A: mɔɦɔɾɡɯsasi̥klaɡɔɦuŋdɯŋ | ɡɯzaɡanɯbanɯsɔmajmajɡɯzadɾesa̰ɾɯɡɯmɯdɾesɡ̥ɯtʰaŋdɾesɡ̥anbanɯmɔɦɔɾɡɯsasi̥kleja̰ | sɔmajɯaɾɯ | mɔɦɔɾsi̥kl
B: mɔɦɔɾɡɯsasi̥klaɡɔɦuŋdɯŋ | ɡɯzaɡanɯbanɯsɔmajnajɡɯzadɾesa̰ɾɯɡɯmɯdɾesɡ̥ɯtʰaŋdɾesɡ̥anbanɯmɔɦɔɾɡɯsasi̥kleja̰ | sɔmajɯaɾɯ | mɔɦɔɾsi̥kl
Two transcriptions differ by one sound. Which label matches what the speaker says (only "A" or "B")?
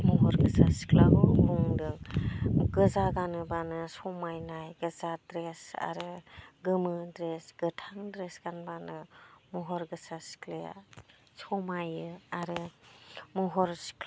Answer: B